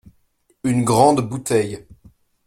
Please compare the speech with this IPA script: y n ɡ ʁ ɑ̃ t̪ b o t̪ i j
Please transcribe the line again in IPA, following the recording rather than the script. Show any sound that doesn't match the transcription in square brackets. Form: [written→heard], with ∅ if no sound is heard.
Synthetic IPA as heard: y n ɡ ʁ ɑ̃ [t̪→d̪] b [o→u] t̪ [i→ɛ] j